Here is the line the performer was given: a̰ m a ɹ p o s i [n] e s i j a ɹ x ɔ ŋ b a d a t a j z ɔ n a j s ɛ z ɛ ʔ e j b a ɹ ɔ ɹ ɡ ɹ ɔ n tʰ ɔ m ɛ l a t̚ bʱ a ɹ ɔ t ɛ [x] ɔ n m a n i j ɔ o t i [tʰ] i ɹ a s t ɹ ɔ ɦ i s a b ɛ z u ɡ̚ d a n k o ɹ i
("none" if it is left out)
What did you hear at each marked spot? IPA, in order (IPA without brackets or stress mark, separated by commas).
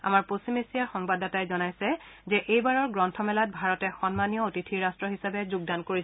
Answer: m, x, tʰ